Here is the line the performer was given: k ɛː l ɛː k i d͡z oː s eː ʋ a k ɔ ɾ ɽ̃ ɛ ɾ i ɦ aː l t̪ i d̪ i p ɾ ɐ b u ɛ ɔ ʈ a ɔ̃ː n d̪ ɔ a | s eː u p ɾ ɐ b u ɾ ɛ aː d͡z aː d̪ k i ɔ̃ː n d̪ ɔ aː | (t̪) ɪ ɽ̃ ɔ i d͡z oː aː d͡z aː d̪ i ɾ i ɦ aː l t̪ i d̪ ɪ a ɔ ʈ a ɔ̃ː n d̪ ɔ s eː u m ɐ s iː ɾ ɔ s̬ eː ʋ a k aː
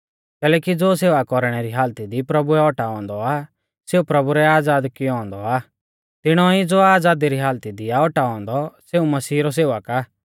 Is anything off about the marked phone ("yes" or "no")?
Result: no